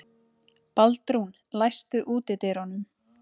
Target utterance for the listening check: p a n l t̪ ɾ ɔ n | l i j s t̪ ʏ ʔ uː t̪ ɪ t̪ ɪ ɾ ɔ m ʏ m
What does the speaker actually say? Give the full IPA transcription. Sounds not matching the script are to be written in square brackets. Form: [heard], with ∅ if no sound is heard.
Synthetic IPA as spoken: p a [∅] l t̪ ɾ [u] n | l [a] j s t̪ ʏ ʔ uː t̪ ɪ t̪ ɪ ɾ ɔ [n] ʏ m